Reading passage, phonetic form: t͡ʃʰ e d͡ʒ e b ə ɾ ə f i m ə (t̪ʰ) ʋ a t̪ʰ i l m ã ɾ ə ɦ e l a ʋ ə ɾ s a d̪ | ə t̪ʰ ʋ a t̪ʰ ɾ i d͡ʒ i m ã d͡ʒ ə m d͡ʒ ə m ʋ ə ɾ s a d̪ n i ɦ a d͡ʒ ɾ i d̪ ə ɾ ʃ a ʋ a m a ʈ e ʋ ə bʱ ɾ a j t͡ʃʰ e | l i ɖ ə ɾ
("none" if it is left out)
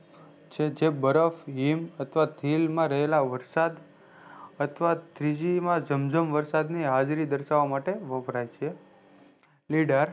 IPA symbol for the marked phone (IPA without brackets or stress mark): t̪ʰ